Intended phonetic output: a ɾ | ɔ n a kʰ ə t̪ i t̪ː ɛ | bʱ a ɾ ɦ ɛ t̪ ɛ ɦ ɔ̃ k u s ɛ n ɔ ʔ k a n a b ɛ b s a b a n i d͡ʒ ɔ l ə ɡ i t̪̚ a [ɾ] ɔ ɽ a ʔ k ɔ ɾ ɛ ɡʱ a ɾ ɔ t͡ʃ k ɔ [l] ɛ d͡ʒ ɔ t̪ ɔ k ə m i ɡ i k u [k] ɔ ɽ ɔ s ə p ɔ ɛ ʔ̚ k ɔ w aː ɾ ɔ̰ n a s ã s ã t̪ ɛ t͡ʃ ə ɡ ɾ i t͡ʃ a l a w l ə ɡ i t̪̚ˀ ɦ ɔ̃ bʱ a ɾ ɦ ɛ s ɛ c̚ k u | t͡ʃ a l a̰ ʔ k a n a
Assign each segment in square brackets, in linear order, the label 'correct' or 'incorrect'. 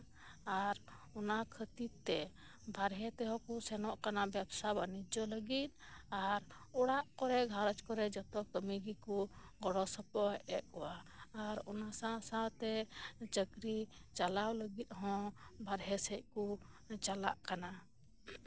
correct, incorrect: ɾ, incorrect: ɡ

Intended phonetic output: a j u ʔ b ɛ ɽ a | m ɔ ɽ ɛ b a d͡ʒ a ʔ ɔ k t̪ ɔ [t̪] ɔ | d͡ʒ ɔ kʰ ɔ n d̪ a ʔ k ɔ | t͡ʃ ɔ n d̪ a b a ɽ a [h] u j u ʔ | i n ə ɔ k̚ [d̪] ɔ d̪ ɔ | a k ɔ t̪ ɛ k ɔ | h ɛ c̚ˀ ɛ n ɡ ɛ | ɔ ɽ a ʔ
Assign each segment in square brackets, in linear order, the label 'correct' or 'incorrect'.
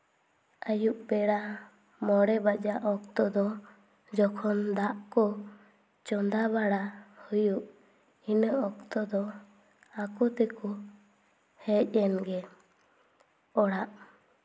incorrect: d̪, correct, incorrect: t̪

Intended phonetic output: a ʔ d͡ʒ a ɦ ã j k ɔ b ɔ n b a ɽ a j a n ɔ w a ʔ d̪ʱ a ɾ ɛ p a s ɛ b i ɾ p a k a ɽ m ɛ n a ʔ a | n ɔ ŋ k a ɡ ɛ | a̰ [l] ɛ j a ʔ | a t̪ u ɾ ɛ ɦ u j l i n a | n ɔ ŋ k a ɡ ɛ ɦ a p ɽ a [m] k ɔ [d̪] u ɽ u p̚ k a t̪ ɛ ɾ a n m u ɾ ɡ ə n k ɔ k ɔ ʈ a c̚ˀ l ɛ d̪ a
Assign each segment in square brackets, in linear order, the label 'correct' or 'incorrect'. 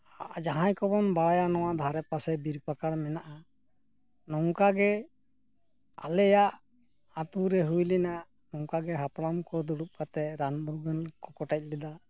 correct, correct, correct

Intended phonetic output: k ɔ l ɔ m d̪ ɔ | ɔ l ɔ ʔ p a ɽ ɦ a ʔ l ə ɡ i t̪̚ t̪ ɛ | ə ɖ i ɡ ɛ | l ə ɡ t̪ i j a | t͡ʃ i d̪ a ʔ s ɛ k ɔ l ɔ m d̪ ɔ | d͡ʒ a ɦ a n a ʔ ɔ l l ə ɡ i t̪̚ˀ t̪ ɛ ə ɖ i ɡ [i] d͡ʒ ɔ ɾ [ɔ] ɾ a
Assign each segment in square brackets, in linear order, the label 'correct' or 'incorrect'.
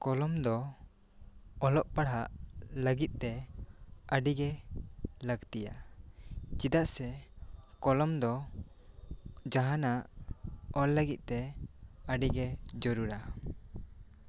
incorrect: ɛ, incorrect: u

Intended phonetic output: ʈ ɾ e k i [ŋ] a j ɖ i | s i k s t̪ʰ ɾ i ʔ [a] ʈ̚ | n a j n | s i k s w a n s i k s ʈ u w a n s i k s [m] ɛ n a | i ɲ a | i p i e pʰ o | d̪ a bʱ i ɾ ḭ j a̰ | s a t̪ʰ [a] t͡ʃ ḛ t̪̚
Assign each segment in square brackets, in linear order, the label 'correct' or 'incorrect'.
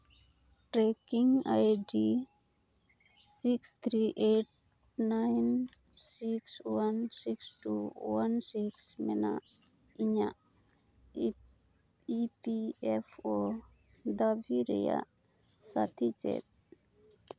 correct, incorrect: e, correct, incorrect: i

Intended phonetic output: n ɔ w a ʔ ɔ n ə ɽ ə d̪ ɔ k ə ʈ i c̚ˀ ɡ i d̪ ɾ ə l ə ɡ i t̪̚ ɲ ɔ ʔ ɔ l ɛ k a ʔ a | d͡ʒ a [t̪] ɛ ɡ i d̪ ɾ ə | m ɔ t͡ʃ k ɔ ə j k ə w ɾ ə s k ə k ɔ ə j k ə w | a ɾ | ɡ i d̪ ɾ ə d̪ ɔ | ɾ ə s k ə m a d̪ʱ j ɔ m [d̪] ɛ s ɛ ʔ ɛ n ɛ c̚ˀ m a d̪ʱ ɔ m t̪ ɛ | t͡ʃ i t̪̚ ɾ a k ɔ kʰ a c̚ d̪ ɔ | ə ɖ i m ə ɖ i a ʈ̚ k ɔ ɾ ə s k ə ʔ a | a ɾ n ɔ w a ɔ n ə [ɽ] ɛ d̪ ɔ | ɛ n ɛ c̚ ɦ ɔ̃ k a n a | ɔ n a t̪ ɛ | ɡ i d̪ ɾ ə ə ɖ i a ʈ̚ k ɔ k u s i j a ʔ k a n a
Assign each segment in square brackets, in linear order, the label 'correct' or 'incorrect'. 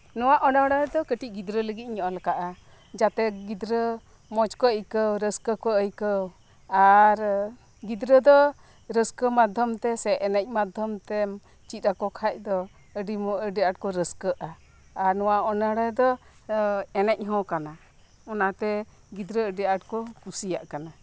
correct, incorrect: t̪, correct

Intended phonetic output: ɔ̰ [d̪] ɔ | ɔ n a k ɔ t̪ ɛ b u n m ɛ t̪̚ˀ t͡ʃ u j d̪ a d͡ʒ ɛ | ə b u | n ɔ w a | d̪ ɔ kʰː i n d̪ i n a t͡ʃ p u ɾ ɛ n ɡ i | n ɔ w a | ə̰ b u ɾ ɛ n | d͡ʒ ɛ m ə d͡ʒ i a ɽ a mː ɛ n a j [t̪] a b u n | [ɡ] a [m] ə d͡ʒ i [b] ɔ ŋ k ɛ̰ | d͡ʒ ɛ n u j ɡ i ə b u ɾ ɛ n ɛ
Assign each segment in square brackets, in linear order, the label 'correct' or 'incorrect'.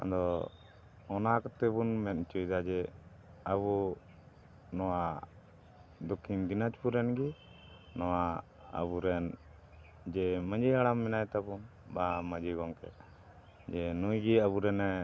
correct, correct, incorrect: b, correct, incorrect: ɡ

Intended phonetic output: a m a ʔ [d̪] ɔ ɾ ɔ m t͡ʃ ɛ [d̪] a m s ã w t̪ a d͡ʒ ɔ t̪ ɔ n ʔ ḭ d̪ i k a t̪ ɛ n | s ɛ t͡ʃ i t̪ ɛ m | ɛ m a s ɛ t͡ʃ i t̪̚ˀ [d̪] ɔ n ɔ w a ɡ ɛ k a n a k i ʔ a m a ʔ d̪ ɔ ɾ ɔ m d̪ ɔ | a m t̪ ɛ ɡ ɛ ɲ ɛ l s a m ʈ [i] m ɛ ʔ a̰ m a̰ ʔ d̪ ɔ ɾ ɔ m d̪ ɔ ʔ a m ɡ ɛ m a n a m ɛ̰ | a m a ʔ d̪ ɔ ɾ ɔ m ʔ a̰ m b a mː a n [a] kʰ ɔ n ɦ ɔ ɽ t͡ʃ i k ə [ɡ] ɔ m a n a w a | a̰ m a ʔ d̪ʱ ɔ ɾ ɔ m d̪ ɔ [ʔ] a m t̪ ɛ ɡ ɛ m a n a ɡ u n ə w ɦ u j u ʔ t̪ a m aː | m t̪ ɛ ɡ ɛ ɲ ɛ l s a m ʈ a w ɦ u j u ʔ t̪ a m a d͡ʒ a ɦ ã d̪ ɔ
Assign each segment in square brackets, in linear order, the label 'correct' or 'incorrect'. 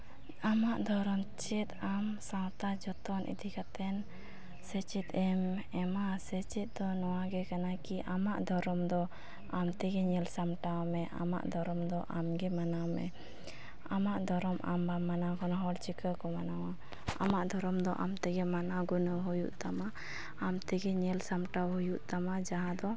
correct, incorrect: t̪, correct, incorrect: a, correct, incorrect: k, correct

